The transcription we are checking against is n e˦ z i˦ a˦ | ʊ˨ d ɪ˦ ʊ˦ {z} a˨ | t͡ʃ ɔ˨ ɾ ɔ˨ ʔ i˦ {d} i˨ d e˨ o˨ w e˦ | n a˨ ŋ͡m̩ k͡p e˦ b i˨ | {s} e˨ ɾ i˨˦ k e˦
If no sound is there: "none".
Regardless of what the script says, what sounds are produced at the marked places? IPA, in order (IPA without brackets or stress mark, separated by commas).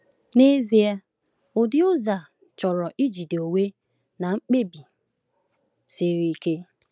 z, d͡ʒ, s